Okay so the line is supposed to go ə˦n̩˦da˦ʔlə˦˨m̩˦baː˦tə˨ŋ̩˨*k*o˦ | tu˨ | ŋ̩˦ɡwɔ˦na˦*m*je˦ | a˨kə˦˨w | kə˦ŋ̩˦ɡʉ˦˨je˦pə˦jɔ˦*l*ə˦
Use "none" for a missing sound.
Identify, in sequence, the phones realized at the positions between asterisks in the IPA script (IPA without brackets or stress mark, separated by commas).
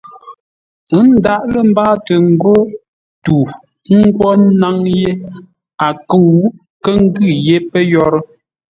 ɡ, ŋ, ɾ